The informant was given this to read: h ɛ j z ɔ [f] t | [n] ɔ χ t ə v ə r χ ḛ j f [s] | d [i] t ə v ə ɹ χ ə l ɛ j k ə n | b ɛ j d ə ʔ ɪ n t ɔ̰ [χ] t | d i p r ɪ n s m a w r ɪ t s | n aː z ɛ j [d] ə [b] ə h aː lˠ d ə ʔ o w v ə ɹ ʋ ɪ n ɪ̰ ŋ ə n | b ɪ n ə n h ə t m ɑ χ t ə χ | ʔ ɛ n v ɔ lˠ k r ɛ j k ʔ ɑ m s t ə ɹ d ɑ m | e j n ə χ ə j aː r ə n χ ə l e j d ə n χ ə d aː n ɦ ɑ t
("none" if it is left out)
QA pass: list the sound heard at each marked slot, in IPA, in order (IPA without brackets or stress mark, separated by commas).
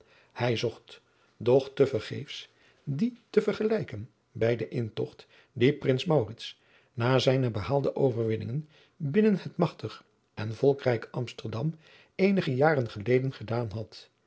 χ, d, s, i, χ, n, b